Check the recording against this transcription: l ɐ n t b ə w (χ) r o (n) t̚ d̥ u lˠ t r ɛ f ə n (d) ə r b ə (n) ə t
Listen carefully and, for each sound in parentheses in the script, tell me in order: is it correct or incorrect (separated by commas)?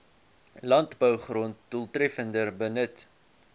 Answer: correct, correct, correct, correct